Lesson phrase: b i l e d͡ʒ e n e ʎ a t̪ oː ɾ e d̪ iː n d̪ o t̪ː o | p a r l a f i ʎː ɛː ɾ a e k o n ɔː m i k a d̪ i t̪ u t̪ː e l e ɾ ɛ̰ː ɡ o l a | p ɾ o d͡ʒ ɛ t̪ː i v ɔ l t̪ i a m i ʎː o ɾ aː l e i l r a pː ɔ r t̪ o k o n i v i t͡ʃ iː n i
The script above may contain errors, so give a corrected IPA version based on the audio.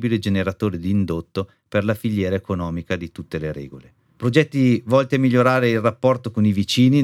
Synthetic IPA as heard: b i l e d͡ʒ e n e ɾ a t̪ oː ɾ e d̪ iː n d̪ o t̪ː o | p e r l a f i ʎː ɛː ɾ a e k o n ɔː m i k a d̪ i t̪ u t̪ː e l e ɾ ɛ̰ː ɡ o l e | p ɾ o d͡ʒ ɛ t̪ː i v ɔ l t̪ i a m i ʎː o ɾ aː ɾ e i l r a pː ɔ r t̪ o k o n i v i t͡ʃ iː n i